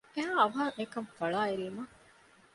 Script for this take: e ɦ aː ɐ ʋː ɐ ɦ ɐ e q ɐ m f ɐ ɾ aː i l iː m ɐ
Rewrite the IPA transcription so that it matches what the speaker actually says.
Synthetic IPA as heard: e ɦ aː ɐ ʋ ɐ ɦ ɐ e k ɐ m f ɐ ɭ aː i ɾ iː m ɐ